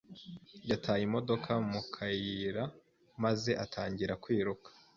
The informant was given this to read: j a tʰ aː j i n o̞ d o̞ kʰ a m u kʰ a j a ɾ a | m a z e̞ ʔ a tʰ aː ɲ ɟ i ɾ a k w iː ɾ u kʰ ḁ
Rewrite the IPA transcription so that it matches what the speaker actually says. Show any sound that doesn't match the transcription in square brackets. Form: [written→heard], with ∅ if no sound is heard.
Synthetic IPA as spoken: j a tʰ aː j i [n→m] o̞ d o̞ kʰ a m u kʰ a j [a→i] ɾ a | m a z e̞ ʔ a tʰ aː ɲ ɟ i ɾ a k w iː ɾ u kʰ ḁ